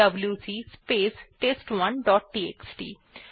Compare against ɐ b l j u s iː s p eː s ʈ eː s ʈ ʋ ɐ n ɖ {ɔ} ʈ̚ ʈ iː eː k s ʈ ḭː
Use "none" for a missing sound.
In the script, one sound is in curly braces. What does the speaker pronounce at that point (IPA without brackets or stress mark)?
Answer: ɔː